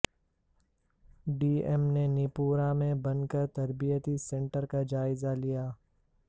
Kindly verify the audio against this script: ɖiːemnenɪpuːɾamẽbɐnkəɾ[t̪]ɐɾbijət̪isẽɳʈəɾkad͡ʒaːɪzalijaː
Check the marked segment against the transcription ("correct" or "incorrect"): correct